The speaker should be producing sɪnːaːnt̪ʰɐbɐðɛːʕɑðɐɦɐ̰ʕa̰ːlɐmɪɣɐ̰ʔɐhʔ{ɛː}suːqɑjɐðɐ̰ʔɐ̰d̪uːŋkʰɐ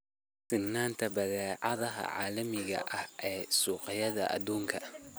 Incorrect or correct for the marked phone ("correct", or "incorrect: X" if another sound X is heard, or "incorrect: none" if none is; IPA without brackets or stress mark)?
correct